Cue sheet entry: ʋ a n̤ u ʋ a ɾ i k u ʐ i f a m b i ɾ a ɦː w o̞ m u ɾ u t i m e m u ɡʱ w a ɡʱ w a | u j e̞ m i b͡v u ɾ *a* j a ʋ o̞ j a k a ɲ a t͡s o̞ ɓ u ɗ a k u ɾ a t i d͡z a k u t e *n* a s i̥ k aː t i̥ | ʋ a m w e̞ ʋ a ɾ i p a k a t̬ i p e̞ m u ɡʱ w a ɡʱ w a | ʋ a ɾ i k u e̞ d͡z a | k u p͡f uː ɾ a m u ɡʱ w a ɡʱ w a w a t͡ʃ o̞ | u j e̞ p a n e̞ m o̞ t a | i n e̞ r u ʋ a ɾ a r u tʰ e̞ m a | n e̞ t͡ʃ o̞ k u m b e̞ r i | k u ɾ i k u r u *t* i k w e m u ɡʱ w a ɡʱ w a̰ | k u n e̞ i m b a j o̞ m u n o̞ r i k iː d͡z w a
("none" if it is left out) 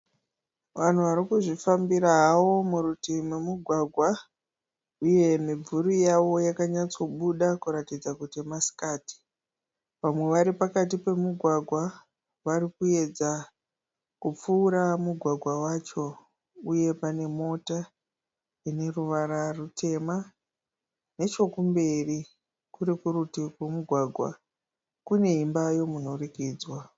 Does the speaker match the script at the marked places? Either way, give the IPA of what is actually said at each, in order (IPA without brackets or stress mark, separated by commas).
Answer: i, m, t